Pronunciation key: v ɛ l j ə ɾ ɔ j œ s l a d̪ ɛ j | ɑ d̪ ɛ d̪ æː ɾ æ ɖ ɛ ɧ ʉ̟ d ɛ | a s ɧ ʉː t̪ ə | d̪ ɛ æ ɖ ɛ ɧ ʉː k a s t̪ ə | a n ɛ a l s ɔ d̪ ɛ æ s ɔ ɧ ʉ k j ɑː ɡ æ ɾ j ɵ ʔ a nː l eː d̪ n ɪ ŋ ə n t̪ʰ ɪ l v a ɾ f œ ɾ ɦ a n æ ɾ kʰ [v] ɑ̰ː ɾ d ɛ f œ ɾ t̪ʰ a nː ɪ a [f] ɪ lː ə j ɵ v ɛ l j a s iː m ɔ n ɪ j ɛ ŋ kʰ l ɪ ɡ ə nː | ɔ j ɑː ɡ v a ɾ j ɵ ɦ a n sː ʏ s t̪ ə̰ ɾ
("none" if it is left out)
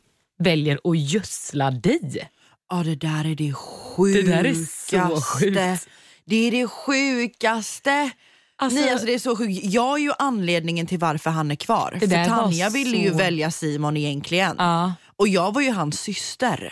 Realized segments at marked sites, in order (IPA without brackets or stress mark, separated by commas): v, v